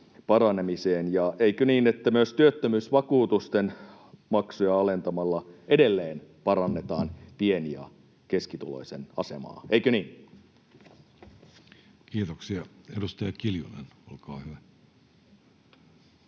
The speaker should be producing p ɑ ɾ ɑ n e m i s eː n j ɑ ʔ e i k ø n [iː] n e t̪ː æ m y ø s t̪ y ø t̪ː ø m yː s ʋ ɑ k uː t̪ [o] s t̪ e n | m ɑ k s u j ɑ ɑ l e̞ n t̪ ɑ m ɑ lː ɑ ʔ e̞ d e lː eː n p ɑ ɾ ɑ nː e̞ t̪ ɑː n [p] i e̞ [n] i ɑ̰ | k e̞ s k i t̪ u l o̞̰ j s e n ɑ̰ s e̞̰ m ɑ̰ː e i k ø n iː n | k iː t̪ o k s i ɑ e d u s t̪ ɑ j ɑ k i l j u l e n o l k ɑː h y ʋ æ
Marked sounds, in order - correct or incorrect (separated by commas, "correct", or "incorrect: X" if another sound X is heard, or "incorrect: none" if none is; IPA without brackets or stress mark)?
correct, incorrect: u, correct, correct